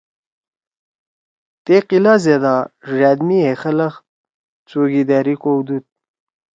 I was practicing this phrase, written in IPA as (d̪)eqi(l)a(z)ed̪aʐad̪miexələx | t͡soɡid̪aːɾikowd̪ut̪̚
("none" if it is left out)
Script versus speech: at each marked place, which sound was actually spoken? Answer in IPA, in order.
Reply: t̪, l, z

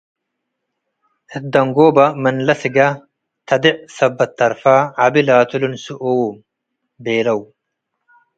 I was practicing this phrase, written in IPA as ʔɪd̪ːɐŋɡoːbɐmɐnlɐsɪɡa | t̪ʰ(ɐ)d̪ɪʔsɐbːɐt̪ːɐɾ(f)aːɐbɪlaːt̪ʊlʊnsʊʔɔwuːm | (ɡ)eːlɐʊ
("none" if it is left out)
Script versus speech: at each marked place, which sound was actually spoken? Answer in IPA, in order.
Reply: ɐ, f, b

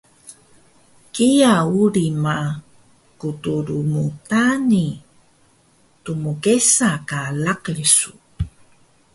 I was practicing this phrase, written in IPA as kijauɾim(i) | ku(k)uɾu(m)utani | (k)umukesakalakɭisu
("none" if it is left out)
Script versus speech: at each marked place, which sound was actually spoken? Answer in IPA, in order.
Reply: a, t, m, t

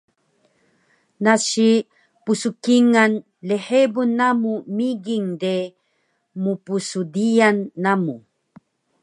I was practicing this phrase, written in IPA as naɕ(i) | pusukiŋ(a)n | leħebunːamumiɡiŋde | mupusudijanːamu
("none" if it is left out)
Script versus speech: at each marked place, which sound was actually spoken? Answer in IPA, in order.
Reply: i, a

